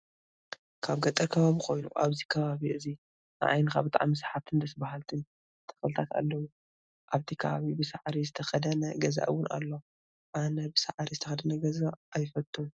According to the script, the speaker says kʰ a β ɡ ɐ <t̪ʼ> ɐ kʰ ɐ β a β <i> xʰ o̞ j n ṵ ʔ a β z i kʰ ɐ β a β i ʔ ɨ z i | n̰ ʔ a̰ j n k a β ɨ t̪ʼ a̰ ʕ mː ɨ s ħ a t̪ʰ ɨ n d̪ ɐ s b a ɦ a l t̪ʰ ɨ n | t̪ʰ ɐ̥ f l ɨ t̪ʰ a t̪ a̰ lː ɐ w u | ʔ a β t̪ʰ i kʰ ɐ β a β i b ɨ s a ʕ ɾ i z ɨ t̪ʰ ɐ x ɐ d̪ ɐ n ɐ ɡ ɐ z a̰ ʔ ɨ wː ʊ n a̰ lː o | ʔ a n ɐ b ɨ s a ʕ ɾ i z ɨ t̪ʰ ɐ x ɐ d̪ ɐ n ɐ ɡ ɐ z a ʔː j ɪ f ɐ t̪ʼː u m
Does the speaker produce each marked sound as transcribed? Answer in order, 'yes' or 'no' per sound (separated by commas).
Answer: yes, yes